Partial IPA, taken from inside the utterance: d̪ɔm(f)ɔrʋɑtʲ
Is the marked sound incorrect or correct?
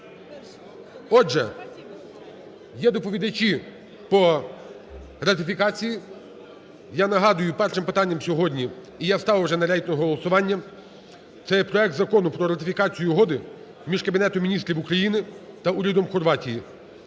incorrect